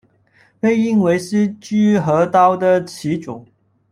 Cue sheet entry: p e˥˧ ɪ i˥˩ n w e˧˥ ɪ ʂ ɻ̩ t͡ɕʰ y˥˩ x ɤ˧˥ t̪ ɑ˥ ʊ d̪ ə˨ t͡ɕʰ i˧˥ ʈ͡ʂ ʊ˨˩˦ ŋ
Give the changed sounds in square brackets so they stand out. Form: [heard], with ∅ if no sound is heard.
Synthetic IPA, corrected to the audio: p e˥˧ ɪ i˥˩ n w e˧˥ ɪ ʂ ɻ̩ [t͡ɕ] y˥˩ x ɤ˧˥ t̪ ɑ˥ ʊ d̪ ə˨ t͡ɕʰ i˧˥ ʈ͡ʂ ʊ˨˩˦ ŋ